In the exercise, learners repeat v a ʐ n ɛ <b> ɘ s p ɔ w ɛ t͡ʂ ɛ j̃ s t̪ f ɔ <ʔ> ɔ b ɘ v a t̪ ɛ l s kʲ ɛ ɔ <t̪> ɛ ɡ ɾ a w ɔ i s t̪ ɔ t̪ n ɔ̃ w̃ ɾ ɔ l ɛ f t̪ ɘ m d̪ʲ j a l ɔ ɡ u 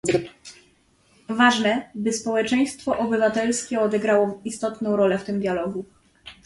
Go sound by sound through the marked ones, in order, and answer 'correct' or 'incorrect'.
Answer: correct, correct, incorrect

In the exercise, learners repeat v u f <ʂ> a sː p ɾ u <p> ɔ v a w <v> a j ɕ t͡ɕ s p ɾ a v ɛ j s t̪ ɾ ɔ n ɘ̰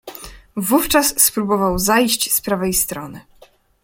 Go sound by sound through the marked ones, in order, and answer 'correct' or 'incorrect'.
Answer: incorrect, incorrect, incorrect

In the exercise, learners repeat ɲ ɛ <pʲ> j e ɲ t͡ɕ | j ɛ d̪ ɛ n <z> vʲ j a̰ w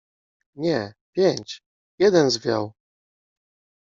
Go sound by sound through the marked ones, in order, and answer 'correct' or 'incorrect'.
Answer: correct, correct

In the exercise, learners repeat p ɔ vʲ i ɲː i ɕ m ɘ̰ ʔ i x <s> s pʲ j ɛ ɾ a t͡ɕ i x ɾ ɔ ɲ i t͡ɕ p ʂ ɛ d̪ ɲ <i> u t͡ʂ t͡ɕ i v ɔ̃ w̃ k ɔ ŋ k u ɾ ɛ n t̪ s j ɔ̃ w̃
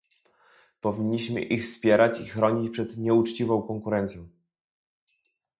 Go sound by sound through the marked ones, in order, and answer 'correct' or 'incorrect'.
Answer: incorrect, incorrect

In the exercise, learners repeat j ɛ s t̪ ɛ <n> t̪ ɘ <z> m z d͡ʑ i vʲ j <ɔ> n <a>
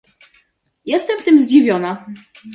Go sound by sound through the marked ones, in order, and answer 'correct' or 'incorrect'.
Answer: incorrect, incorrect, correct, correct

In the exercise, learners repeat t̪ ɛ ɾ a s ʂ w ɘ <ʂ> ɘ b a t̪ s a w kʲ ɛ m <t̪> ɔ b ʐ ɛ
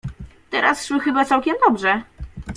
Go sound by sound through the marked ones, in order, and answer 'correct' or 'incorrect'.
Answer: incorrect, incorrect

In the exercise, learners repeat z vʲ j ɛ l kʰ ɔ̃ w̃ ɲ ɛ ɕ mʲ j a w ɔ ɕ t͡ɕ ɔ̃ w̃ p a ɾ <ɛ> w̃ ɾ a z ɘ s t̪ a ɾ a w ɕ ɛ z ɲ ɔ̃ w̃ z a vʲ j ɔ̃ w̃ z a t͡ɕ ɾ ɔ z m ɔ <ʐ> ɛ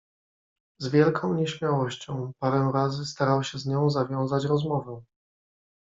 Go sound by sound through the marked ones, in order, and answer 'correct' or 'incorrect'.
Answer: correct, incorrect

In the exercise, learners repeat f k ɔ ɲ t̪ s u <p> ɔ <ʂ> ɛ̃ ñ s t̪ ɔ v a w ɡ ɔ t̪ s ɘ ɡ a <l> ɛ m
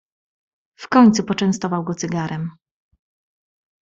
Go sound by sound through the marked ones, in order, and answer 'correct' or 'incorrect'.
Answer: correct, incorrect, incorrect

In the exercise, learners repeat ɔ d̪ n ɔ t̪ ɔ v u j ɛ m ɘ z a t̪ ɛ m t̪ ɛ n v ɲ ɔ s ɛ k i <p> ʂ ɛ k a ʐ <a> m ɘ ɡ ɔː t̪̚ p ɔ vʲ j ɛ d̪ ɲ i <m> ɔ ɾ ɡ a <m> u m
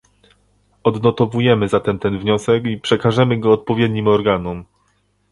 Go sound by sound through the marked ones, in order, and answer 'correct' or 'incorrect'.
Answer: correct, incorrect, correct, incorrect

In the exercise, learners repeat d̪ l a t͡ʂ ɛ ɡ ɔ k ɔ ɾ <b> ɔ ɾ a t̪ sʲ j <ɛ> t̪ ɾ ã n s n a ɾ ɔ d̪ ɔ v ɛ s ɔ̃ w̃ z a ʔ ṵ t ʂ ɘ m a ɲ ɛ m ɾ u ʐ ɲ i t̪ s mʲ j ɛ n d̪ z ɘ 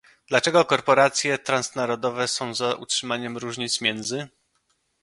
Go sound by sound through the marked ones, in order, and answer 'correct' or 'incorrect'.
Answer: incorrect, correct

